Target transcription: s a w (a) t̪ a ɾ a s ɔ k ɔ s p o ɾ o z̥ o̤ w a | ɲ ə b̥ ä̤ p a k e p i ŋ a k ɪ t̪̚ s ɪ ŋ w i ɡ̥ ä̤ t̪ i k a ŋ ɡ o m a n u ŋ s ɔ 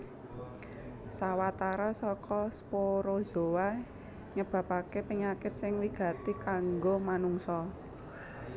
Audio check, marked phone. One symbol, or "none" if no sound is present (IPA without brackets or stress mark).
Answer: a